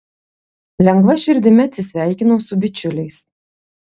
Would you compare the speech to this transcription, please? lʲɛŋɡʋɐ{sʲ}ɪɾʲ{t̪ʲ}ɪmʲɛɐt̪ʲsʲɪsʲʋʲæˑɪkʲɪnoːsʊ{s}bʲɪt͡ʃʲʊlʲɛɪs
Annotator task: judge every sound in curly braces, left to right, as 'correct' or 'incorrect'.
incorrect, incorrect, incorrect

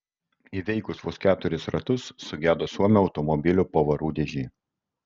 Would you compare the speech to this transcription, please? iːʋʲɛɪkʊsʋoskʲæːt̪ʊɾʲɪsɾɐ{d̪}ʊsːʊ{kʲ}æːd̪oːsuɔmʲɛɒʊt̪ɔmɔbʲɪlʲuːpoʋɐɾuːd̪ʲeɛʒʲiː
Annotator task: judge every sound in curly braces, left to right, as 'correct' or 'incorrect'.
incorrect, incorrect

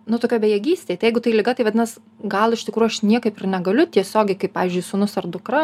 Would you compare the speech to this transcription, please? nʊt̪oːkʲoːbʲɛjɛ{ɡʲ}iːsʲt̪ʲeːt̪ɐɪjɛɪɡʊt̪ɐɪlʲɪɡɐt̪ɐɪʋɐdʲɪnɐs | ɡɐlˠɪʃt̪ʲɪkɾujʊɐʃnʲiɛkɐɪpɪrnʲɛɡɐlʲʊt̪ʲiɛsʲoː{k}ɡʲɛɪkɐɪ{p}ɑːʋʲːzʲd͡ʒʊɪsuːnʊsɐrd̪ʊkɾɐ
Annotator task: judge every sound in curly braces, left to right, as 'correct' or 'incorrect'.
correct, incorrect, correct

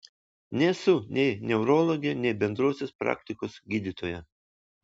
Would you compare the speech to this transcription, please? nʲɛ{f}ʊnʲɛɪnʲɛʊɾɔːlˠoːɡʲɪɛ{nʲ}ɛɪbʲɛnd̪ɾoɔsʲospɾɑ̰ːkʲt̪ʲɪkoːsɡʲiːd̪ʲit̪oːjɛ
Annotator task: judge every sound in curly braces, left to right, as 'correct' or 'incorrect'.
incorrect, correct

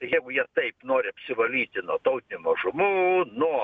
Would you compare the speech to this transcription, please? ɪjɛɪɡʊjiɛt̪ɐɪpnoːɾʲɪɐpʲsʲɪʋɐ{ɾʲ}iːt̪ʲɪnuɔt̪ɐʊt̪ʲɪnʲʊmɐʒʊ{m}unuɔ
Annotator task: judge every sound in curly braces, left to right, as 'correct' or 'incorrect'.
incorrect, correct

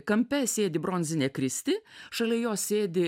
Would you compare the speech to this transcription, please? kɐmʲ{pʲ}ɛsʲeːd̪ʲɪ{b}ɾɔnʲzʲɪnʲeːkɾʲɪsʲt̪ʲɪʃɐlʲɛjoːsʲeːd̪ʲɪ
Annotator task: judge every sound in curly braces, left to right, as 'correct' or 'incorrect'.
correct, correct

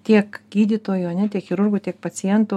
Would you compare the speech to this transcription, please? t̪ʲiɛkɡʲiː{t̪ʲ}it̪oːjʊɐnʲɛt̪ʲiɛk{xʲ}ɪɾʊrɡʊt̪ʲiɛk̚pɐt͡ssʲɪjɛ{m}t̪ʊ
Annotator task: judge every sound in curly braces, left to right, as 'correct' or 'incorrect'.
incorrect, correct, incorrect

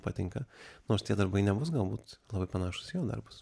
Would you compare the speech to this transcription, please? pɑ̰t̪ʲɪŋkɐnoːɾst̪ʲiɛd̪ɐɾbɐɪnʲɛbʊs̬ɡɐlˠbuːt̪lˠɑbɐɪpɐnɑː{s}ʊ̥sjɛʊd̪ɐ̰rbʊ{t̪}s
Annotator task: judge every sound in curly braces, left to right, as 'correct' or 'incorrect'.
incorrect, incorrect

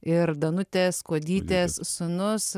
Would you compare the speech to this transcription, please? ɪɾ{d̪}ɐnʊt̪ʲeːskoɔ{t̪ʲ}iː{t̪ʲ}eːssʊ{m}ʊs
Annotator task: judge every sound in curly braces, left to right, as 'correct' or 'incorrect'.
correct, incorrect, correct, incorrect

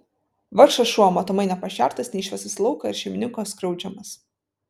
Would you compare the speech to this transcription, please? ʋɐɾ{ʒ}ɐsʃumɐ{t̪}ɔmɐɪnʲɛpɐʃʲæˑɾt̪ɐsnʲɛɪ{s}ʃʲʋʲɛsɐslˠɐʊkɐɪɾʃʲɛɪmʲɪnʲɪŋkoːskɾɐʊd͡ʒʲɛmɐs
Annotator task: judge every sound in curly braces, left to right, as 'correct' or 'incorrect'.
incorrect, correct, incorrect

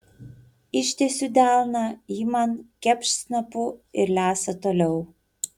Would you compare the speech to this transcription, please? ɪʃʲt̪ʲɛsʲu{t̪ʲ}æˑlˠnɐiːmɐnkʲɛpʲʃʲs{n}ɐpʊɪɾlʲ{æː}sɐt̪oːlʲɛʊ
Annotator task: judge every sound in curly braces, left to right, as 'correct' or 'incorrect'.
incorrect, correct, correct

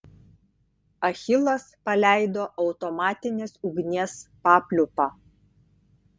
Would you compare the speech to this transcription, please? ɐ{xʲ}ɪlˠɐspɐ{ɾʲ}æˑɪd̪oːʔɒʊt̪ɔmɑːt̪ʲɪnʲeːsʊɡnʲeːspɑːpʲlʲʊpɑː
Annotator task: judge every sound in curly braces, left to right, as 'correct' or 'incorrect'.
correct, incorrect

